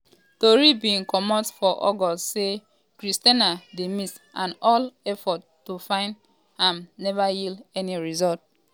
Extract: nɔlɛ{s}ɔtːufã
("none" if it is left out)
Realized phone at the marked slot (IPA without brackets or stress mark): f